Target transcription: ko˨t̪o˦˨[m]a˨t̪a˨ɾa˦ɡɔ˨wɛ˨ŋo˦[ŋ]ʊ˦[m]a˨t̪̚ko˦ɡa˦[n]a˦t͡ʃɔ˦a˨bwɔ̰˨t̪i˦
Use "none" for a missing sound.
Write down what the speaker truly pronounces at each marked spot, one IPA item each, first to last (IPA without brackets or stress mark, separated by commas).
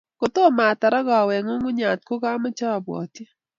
m, ŋ, ɲ, m